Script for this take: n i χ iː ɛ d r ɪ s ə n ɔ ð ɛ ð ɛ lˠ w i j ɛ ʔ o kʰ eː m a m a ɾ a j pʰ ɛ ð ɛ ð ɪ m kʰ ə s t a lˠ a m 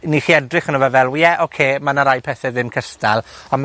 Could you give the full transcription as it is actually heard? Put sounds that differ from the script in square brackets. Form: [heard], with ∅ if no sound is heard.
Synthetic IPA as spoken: n i χ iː ɛ d r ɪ [χ] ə n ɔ [v] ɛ [v] ɛ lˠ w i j ɛ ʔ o kʰ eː m a [n] a ɾ a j pʰ ɛ [θ] ɛ ð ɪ m kʰ ə s t a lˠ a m